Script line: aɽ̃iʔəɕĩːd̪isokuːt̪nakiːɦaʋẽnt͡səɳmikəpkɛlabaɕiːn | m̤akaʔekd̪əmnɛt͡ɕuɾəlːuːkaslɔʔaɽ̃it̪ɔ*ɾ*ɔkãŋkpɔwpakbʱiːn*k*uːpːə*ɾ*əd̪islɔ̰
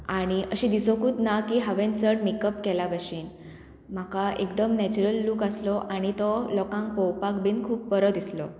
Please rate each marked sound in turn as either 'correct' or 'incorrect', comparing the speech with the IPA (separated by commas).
incorrect, incorrect, correct